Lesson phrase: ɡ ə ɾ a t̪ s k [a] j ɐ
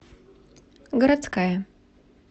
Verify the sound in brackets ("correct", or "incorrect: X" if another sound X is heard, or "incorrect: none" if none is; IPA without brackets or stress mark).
correct